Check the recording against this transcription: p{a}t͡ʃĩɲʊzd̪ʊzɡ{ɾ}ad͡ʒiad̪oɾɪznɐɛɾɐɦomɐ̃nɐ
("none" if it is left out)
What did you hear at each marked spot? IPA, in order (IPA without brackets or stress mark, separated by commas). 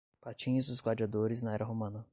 a, l